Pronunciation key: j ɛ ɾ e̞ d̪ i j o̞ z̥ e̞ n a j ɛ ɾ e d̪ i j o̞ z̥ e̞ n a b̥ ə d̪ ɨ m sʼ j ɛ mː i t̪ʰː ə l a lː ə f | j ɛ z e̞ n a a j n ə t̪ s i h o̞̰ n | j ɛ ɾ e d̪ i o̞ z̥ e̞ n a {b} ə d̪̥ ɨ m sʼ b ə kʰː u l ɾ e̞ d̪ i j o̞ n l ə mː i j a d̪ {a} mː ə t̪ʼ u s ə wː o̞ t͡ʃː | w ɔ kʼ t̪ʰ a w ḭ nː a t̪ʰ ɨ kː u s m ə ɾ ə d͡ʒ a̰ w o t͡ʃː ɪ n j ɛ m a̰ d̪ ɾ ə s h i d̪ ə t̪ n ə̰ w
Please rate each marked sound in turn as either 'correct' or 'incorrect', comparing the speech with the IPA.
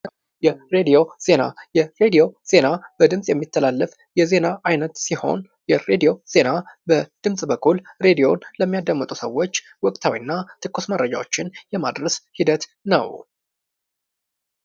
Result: correct, incorrect: ə

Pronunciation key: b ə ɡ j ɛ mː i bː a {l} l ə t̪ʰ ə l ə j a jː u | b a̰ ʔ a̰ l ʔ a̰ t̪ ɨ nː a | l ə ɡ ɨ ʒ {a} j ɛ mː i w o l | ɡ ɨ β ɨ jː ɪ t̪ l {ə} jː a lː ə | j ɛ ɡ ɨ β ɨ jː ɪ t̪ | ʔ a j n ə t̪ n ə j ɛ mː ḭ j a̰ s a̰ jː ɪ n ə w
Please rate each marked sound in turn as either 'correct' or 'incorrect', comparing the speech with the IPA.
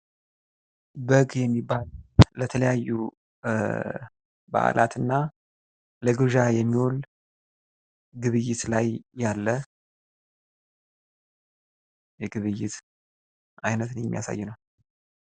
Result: correct, correct, incorrect: a

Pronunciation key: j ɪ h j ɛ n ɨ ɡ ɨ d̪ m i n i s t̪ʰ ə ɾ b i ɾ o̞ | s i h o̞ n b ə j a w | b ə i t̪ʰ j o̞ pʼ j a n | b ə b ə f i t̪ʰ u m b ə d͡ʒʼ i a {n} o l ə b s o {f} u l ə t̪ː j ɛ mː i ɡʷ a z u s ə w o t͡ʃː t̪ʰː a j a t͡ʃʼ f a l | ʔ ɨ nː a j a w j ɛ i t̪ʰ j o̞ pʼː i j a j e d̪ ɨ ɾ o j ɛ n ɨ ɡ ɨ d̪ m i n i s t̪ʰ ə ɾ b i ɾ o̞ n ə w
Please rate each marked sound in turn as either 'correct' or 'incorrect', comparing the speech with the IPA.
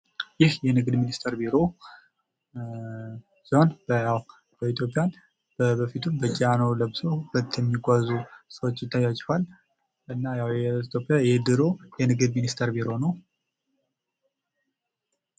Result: correct, incorrect: h

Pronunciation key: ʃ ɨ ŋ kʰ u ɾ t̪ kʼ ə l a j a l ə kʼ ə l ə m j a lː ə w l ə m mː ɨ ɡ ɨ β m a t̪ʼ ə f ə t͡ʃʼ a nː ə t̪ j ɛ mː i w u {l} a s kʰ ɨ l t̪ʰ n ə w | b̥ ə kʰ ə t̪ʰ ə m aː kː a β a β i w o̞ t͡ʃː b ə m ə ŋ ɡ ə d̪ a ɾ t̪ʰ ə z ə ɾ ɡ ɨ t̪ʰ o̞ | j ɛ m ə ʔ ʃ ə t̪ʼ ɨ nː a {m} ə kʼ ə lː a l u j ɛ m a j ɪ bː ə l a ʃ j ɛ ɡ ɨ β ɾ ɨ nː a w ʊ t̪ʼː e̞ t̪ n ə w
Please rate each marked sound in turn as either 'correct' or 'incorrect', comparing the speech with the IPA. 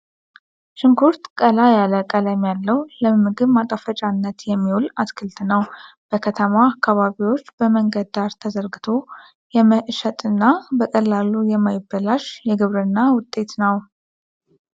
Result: correct, incorrect: b

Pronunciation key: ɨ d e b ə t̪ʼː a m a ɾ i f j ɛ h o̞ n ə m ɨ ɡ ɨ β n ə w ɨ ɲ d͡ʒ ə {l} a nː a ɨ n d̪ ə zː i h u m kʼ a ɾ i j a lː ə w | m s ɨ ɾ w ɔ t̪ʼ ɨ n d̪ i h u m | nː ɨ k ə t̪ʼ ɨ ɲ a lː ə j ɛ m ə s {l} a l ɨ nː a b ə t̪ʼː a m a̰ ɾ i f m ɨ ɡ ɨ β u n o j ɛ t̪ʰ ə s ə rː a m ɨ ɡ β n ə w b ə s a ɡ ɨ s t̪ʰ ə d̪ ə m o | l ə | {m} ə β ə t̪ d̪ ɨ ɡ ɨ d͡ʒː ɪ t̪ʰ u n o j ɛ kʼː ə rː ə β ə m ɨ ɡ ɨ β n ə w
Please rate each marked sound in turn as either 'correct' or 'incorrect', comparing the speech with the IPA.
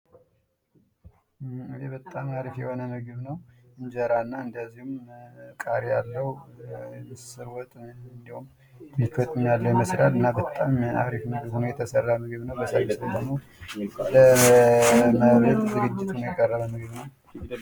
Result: incorrect: ɾ, incorrect: ɾ, correct

